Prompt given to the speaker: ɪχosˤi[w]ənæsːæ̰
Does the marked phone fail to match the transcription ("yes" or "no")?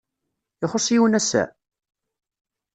no